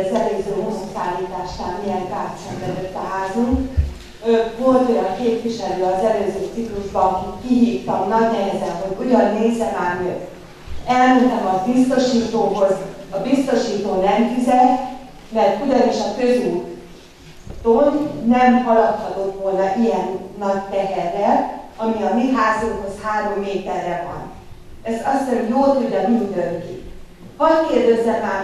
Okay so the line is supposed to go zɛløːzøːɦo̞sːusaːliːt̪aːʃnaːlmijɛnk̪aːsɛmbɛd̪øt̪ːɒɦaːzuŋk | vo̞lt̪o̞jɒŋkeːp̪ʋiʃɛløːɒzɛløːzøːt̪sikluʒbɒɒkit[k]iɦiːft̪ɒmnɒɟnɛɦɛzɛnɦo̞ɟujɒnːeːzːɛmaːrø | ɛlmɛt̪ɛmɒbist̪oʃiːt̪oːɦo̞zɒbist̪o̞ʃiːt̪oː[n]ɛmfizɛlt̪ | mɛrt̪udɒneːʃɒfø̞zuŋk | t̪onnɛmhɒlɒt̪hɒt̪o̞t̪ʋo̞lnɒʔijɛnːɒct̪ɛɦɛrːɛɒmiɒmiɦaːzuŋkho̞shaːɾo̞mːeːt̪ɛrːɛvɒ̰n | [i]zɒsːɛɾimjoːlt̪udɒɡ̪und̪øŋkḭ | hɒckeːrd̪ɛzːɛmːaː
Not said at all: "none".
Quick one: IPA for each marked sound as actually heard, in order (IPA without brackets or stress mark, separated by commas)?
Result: k, n, ɛ